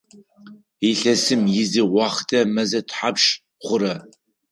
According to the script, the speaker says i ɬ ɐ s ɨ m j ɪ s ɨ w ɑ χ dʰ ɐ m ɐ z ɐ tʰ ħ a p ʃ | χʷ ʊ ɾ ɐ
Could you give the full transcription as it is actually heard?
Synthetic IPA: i ɬ ɐ s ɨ m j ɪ z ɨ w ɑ χ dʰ ɐ m ɐ z ɐ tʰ ħ a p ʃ | χʷ ʊ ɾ ɐ